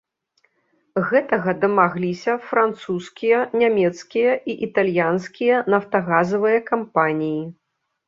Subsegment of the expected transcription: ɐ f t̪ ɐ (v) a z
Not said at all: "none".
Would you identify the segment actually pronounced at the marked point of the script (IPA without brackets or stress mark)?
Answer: ɣ